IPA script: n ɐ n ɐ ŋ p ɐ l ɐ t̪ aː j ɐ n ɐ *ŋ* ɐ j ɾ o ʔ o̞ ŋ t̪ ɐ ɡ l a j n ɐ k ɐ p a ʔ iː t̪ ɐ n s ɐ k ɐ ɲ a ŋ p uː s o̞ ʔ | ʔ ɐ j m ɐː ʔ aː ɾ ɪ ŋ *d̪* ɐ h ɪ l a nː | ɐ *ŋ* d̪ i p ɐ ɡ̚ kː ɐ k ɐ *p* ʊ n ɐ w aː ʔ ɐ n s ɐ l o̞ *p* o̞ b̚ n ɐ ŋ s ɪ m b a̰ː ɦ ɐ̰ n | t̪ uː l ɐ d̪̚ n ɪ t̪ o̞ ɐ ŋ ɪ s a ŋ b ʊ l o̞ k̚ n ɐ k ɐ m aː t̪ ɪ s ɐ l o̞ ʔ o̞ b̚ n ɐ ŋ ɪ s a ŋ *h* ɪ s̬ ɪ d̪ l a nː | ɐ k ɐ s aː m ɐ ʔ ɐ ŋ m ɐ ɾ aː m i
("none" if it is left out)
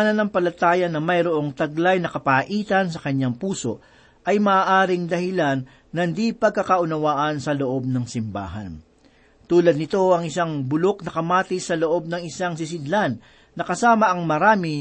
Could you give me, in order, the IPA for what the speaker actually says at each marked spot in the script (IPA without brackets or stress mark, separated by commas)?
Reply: m, d̪, n, ʔ, ʔ, s